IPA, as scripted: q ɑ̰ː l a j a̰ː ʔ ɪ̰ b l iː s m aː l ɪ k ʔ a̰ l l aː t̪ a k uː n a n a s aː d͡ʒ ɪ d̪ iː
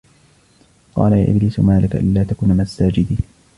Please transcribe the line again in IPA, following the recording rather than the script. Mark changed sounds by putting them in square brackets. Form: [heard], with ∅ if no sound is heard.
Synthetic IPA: q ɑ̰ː l a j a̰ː ʔ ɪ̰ b l iː s m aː l ɪ k ʔ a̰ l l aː t̪ a k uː n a [m] a s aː d͡ʒ ɪ d̪ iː